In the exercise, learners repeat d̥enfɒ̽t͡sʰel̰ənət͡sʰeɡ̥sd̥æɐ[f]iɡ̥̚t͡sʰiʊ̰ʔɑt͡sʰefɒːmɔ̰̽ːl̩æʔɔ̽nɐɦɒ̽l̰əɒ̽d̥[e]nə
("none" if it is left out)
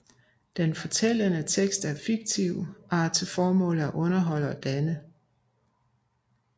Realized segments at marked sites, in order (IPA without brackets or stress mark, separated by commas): f, æ